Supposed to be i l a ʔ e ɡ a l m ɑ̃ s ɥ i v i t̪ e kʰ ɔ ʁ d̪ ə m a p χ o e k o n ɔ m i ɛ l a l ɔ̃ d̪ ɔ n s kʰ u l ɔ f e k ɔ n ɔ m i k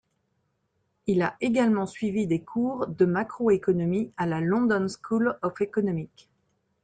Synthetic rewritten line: i l a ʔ e ɡ a l m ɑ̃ s ɥ i v i d̪ e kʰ u ʁ d̪ ə m a k χ o e k ɔ n ɔ m i a l a l ɔ̃ d̪ ɔ n s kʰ u l ɔ f e k ɔ n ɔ m i k